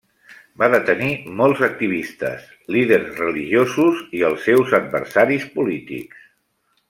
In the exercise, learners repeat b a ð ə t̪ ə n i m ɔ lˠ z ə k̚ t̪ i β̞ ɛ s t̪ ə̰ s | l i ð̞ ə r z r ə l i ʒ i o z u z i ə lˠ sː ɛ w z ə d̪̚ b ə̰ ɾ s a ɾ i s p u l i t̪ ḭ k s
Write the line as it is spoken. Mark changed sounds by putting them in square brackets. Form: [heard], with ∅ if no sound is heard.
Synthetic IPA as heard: b a ð ə t̪ ə n i m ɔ lˠ z ə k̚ t̪ i β̞ [i] s t̪ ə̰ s | l i ð̞ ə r z r ə l i ʒ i o z u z i ə lˠ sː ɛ w z ə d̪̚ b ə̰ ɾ s a ɾ i s p u l i t̪ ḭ k s